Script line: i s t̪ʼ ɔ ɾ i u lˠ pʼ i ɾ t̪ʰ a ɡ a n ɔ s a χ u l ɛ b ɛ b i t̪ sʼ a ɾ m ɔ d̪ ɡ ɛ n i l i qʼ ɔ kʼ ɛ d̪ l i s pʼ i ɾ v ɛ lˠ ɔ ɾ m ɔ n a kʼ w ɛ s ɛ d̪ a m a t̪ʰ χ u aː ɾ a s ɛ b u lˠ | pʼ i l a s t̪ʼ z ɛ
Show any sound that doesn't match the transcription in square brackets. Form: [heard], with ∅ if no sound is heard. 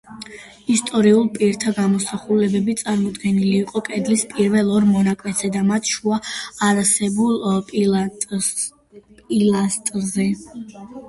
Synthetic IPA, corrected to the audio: i s t̪ʼ ɔ ɾ i u lˠ pʼ i ɾ t̪ʰ a ɡ a [m] ɔ s a χ u l ɛ b ɛ b i t̪ sʼ a ɾ m ɔ d̪ ɡ ɛ n i l [iː] qʼ ɔ kʼ ɛ d̪ l i s pʼ i ɾ v ɛ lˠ ɔ ɾ m ɔ n a kʼ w ɛ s ɛ d̪ a m a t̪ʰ [ʃ] u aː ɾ a s ɛ b u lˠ | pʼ i l a s t̪ʼ z ɛ